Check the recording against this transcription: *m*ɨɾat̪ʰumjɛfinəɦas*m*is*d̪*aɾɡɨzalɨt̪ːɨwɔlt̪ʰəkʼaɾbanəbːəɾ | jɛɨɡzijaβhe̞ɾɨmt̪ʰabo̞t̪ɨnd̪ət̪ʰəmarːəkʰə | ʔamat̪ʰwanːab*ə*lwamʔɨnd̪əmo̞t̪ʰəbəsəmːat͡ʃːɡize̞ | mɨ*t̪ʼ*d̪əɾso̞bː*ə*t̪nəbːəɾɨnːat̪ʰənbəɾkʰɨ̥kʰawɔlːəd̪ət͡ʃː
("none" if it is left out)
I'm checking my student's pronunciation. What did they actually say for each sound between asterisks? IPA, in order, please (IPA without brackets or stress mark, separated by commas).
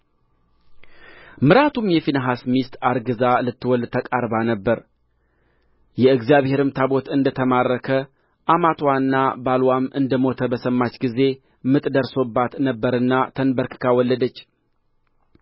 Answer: m, m, t̪, a, t̪ʼ, a